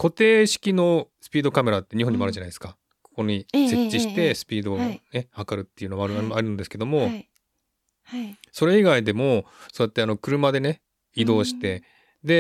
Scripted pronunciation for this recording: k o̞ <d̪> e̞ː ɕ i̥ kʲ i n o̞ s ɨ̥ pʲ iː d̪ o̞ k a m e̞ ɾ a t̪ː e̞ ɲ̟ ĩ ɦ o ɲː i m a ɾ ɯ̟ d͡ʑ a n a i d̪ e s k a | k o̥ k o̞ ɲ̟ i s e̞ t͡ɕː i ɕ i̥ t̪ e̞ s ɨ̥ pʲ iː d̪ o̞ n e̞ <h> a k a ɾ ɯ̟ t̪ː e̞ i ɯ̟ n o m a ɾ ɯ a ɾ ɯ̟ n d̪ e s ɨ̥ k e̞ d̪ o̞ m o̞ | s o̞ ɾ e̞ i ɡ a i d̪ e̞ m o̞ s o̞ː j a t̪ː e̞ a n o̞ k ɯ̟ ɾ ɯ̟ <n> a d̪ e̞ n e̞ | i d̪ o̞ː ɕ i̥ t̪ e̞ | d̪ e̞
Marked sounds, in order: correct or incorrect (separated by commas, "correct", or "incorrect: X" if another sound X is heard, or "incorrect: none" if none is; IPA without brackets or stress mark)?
incorrect: t̪, correct, incorrect: m